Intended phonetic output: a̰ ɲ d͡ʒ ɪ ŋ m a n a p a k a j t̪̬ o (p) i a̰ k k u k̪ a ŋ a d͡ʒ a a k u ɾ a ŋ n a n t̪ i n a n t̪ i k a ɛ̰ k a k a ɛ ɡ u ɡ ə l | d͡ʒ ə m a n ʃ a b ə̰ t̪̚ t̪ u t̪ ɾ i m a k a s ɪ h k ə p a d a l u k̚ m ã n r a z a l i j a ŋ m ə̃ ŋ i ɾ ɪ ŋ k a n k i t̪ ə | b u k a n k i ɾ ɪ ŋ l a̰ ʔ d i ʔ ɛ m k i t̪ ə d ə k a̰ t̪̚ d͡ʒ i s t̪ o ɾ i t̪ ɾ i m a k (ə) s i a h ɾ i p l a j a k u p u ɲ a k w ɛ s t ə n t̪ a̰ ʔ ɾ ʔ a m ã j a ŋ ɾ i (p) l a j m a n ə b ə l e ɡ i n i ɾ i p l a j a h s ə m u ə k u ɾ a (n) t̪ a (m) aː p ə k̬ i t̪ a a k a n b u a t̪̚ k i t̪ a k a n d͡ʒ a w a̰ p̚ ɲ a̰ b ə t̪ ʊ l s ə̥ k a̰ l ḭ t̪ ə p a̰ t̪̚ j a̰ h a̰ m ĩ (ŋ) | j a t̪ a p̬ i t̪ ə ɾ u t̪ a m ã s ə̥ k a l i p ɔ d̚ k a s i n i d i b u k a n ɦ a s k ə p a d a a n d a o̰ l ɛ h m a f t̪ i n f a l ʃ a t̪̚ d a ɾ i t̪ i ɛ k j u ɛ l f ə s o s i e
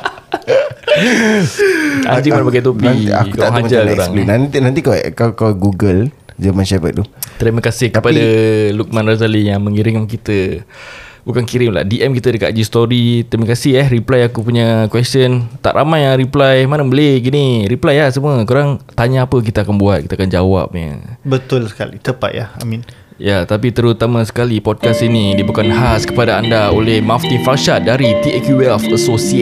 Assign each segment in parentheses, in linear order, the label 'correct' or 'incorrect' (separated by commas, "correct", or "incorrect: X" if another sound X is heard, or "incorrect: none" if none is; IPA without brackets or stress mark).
correct, incorrect: a, correct, incorrect: ŋ, incorrect: ɲ, incorrect: n